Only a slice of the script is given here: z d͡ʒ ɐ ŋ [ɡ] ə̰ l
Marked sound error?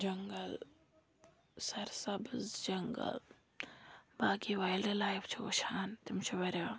no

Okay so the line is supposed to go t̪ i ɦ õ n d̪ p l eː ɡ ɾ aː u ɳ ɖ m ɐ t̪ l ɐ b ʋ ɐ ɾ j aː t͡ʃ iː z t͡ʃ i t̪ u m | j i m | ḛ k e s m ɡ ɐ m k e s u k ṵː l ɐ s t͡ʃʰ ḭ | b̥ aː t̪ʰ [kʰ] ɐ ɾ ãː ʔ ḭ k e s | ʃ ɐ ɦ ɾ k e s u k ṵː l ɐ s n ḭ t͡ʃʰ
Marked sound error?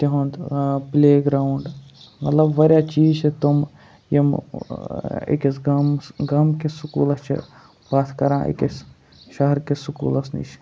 yes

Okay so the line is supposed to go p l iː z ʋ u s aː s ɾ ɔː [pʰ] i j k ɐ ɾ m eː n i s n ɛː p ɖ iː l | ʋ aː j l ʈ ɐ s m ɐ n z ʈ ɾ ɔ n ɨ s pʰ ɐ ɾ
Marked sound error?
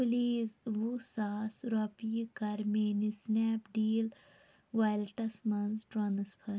yes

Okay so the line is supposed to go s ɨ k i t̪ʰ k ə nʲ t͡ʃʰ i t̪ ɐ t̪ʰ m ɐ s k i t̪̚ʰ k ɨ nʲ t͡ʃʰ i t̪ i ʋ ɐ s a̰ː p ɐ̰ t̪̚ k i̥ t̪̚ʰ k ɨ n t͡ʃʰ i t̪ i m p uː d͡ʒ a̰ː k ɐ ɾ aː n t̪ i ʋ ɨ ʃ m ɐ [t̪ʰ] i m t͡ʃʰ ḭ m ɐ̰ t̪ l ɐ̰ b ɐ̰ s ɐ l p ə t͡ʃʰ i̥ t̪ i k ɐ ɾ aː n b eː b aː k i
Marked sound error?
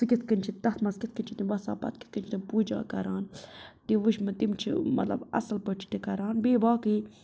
yes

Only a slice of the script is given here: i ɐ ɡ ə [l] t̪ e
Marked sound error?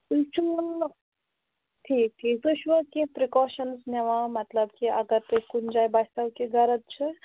yes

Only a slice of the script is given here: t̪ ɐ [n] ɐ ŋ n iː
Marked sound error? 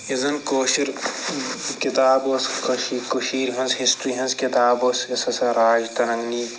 no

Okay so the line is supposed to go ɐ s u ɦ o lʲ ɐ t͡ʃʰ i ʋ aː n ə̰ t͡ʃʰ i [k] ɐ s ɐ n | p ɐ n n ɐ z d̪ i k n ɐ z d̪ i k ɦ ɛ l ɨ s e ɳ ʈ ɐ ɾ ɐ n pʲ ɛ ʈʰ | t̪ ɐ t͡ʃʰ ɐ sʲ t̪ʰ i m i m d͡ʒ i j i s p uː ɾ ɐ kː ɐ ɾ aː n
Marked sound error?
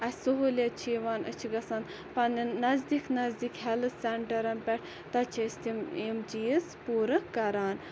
yes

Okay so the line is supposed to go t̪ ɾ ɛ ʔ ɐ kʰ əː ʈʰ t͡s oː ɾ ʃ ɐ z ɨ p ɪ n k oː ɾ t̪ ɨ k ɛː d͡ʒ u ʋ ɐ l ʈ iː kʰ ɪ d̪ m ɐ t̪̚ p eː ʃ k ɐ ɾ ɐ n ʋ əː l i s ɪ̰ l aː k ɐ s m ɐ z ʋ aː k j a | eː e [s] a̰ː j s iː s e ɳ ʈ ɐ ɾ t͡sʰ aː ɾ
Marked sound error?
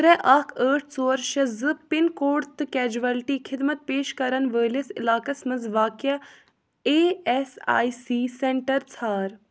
no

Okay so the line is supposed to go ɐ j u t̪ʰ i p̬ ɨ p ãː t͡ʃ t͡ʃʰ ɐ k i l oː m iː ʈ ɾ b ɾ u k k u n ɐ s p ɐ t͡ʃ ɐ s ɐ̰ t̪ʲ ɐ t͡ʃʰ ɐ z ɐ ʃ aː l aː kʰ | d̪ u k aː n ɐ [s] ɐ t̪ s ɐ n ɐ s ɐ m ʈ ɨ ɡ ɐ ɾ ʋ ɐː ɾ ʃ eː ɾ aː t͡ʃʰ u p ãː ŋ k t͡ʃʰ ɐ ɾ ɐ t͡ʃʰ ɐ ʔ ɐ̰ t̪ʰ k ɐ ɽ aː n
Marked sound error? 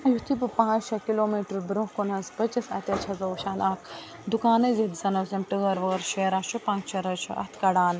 yes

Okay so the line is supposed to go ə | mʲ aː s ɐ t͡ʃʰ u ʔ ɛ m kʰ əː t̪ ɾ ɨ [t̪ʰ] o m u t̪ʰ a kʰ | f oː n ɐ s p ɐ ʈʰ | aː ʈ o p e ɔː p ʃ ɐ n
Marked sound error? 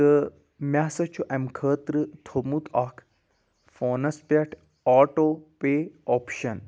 no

